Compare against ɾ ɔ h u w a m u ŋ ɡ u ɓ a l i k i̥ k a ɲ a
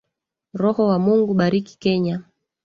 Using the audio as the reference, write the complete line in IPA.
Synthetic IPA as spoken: ɾ ɔ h ɔ w a m u ŋ ɡ u ɓ a ɾ i k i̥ k ɛ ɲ a